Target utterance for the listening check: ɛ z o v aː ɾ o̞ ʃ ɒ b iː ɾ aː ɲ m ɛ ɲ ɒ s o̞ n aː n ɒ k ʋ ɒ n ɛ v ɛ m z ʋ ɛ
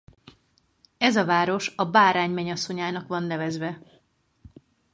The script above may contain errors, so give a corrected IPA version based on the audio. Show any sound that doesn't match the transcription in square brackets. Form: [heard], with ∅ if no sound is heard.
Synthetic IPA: ɛ z [ɒ] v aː ɾ o̞ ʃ ɒ b [aː] ɾ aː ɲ m ɛ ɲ ɒ s o̞ [ɲ] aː n ɒ k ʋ ɒ [nː] ɛ v ɛ [∅] z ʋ ɛ